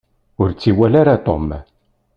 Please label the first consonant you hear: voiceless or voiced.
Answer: voiced